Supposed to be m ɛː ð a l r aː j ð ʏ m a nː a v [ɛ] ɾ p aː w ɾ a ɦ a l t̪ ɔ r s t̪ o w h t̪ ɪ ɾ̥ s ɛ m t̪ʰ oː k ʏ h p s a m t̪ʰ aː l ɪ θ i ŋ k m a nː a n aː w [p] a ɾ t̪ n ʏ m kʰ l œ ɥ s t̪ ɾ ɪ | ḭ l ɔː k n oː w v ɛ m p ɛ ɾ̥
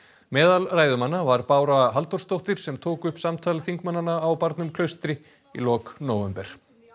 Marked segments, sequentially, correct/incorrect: incorrect, correct

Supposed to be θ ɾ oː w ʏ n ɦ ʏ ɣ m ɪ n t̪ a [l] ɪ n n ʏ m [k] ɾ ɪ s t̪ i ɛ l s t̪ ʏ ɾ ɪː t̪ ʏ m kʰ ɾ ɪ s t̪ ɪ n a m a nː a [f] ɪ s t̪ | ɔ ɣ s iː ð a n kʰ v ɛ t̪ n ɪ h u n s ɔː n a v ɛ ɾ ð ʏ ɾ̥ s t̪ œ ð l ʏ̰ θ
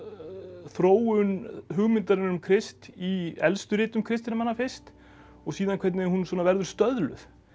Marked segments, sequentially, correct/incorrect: incorrect, incorrect, correct

